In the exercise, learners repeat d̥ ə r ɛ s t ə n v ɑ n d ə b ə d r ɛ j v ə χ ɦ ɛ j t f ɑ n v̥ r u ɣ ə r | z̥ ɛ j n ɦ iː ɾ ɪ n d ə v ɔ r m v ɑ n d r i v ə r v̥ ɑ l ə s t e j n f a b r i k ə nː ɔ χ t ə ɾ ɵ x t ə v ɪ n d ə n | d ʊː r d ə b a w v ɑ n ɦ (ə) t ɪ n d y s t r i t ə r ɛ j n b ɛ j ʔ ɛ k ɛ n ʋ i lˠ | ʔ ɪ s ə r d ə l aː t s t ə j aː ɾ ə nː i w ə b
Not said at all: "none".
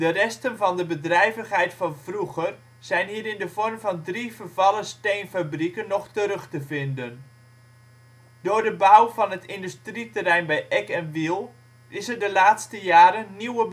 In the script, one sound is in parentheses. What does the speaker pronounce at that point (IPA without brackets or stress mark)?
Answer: ə